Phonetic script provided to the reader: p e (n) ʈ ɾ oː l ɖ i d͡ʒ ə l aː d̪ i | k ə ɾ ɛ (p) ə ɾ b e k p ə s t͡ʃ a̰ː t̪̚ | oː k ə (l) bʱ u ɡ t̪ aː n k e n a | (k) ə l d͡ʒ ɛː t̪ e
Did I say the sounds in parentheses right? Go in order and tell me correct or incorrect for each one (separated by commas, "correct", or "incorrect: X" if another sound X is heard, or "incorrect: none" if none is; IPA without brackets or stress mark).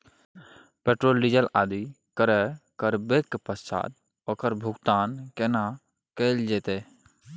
incorrect: none, incorrect: k, incorrect: ɾ, correct